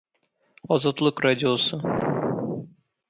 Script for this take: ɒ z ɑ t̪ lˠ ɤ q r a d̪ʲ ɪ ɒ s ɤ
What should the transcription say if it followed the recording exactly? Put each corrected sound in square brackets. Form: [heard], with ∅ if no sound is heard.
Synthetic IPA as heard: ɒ z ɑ t̪ lˠ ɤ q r a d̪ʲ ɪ [o] s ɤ

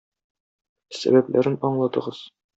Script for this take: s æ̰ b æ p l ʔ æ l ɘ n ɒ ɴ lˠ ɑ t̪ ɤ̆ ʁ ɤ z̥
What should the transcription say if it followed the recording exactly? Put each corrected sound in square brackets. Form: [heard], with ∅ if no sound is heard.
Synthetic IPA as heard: s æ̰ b æ p l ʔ æ [ɾ] ɘ n ɒ ɴ lˠ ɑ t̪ ɤ̆ ʁ ɤ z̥

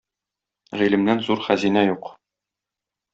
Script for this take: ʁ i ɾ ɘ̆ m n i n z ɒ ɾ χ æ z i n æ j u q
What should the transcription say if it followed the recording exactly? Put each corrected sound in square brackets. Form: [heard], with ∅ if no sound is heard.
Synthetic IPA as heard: ʁ i [l] ɘ̆ m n [æ] n z [u] ɾ χ æ z i n æ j u q

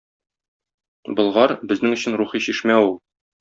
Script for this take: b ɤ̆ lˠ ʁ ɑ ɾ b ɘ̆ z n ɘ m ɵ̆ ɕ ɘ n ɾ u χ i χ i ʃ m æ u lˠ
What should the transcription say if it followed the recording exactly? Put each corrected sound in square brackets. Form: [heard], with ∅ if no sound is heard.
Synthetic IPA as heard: b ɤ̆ lˠ ʁ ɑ ɾ b ɘ̆ z n ɘ [ŋ] ɵ̆ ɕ ɘ n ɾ u χ i [ɕ] i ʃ m æ u lˠ

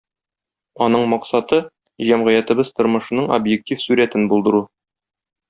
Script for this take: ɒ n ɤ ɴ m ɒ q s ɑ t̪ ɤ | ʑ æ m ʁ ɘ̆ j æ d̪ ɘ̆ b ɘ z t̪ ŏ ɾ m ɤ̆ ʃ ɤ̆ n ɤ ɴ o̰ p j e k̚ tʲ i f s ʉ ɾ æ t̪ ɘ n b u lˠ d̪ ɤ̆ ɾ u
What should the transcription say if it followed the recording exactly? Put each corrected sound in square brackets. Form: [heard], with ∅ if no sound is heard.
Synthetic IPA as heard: ɒ n ɤ ɴ m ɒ q s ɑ t̪ ɤ | ʑ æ m ʁ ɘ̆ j æ [t̪] ɘ̆ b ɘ z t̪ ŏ ɾ m ɤ̆ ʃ ɤ̆ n ɤ ɴ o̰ [b] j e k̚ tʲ i f s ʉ ɾ æ t̪ ɘ n b u lˠ d̪ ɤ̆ ɾ u

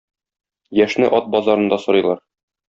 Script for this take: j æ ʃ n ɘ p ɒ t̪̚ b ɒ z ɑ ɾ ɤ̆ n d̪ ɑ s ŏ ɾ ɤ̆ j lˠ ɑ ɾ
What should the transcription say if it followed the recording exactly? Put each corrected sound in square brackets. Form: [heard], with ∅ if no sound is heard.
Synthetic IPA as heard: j æ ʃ n ɘ [ʔ] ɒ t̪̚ b ɒ z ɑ ɾ ɤ̆ n d̪ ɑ s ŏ ɾ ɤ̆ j lˠ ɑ ɾ

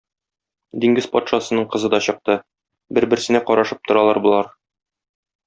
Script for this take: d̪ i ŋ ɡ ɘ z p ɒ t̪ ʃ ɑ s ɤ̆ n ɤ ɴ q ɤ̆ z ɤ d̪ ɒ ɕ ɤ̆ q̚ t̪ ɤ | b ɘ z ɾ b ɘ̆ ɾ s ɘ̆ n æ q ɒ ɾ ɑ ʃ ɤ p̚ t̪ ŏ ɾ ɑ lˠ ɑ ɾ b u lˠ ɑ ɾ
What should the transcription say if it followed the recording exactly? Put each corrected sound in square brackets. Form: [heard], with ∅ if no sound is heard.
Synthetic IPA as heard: d̪ i ŋ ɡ ɘ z p ɒ t̪ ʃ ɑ s ɤ̆ n ɤ ɴ q ɤ̆ z ɤ d̪ ɒ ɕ ɤ̆ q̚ t̪ ɤ | b ɘ [∅] ɾ b ɘ̆ ɾ s ɘ̆ n æ q ɒ ɾ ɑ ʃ ɤ p̚ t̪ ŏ ɾ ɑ lˠ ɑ ɾ b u lˠ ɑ ɾ

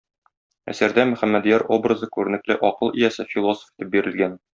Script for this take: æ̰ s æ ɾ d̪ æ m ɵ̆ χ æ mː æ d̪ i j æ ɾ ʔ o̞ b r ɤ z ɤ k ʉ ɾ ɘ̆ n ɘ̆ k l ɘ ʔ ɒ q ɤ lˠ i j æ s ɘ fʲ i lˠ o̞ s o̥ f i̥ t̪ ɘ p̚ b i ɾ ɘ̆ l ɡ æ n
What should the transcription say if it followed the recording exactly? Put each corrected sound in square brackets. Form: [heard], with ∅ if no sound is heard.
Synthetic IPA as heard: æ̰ s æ ɾ d̪ æ m ɵ̆ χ æ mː æ d̪ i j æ ɾ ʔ o̞ b r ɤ z ɤ k ʉ ɾ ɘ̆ n ɘ̆ k l ɘ ʔ ɒ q ɤ lˠ i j æ s ɘ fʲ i lˠ o̞ s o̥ f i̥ t̪ ɘ p̚ b i ɾ ɘ̆ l ɡ æ n

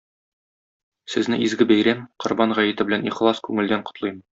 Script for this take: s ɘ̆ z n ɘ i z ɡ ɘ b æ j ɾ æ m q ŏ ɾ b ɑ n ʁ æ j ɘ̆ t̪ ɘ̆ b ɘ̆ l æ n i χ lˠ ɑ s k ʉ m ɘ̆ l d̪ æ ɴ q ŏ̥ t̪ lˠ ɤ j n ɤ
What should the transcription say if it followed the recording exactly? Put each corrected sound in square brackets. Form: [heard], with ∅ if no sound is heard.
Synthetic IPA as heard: s ɘ̆ z n ɘ i z ɡ ɘ b æ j ɾ æ m q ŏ ɾ b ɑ n ʁ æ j ɘ̆ t̪ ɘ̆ b ɘ̆ l æ n i χ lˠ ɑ s k ʉ [ŋ] ɘ̆ l d̪ æ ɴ q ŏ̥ t̪ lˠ ɤ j [m] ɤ

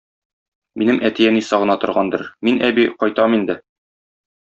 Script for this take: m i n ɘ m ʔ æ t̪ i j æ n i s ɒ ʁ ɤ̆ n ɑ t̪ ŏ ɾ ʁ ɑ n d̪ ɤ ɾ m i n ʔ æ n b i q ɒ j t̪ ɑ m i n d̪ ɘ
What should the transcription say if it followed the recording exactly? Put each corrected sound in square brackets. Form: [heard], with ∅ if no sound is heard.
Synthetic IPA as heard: m i n ɘ m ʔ æ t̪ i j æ n i s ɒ ʁ ɤ̆ n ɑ t̪ ŏ ɾ ʁ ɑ n d̪ ɤ ɾ m i n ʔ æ [∅] b i q ɒ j t̪ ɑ m i n d̪ ɘ

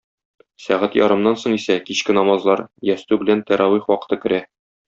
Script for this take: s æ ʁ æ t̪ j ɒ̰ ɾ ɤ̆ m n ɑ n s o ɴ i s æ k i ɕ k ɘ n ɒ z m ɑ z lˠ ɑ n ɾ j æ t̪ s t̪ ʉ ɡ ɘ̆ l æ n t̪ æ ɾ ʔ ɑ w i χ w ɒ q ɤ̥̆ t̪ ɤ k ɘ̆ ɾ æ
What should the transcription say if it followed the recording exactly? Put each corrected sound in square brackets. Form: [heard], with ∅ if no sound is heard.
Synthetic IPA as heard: s æ ʁ æ t̪ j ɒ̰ ɾ ɤ̆ m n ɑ n s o ɴ i s æ k i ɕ k ɘ n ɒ [∅] m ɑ z lˠ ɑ [∅] ɾ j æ [∅] s t̪ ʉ [b] ɘ̆ l æ n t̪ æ ɾ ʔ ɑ w i χ w ɒ q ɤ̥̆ t̪ ɤ k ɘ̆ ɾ æ

